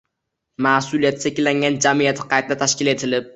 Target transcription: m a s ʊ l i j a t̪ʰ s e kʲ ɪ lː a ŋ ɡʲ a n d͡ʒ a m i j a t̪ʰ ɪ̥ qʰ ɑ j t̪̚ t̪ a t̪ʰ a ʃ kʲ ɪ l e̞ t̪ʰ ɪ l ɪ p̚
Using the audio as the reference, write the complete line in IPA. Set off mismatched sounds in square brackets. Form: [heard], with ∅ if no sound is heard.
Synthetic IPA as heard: m a s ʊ l i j a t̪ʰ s e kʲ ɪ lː a ŋ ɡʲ a n d͡ʒ a m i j a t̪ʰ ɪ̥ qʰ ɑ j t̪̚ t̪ a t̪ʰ a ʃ kʲ ɪ l e̞ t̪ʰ ɪ l ɪ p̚